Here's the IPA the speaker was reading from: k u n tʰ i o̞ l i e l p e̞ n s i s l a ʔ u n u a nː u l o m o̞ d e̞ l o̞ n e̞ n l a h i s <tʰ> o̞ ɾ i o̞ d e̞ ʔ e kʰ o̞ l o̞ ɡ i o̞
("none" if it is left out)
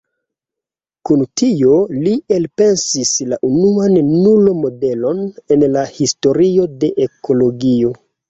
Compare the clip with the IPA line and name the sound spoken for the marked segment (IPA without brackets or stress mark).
t